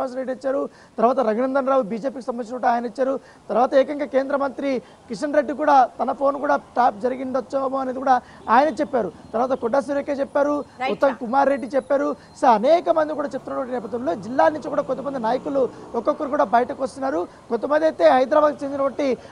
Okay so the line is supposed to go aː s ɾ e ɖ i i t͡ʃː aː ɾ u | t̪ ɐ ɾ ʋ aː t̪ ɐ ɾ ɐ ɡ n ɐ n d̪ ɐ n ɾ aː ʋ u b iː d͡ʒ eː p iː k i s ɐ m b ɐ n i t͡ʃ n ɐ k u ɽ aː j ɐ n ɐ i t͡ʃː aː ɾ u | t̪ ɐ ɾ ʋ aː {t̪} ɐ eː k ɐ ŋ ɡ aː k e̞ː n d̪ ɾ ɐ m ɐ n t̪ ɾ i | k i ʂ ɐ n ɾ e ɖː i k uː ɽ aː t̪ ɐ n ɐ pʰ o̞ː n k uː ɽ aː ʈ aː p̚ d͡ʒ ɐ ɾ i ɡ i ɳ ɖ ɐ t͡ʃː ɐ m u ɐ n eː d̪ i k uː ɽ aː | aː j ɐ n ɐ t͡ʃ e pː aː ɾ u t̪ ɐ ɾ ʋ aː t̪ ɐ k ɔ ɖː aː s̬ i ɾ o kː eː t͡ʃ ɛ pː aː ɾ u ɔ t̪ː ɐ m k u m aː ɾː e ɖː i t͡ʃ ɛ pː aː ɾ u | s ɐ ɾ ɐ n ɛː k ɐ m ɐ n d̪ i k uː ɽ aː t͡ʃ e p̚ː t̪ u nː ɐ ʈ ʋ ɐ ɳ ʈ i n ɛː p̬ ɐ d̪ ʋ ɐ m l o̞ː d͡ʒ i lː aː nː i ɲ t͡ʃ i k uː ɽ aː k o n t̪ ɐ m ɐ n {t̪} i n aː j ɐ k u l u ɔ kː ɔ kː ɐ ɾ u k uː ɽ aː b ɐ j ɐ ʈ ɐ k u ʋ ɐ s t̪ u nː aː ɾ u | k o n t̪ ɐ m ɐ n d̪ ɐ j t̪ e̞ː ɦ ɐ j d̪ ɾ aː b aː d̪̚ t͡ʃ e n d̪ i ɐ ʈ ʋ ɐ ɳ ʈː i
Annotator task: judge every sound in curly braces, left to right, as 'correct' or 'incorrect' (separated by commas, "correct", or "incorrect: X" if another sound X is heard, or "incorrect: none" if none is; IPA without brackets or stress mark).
correct, incorrect: d̪